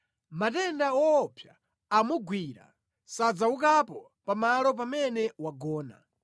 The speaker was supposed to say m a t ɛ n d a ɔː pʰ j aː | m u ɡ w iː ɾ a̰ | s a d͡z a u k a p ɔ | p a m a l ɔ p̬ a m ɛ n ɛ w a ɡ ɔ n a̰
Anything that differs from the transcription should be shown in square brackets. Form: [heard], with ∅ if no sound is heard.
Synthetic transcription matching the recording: m a t ɛ n d a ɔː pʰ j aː | m u ɡ w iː ɾ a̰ | s a d͡z a u k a p ɔ | p a m a l ɔ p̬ a m ɛ n ɛ w a ɡ [ɔː] n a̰